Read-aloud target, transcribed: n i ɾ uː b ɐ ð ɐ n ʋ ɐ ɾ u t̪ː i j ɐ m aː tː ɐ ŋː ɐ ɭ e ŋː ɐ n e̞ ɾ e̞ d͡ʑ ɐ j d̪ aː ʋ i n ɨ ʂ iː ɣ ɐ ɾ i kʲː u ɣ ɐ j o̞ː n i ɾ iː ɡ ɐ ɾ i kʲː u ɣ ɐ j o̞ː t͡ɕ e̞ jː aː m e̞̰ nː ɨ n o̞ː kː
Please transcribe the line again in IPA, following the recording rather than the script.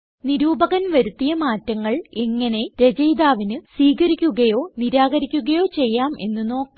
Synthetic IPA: n i ɾ uː b ɐ ɣ ɐ n ʋ ɐ ɾ u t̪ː i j ɐ m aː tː ɐ ŋː ɐ ɭ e ŋː ɐ n e̞ ɾ e̞ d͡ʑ ɐ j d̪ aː ʋ i n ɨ s iː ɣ ɐ ɾ i kʲː u ɣ ɐ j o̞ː n i ɾ aː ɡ ɐ ɾ i kʲː u ɣ ɐ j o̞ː t͡ɕ e̞ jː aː m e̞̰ nː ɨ n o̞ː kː